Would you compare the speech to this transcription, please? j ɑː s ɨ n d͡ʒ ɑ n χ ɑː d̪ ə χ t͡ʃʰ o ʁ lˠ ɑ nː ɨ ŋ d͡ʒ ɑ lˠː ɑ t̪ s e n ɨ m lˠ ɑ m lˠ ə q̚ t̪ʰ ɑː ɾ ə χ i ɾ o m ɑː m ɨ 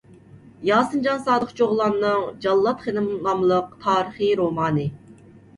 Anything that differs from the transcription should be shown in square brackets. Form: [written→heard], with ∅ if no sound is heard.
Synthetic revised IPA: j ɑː s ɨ n d͡ʒ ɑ n [χ→s] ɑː d̪ ə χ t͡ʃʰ o ʁ lˠ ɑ nː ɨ ŋ d͡ʒ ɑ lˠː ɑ t̪ [s→χ] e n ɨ m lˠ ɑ m lˠ ə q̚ t̪ʰ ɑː ɾ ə χ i ɾ o m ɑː [m→n] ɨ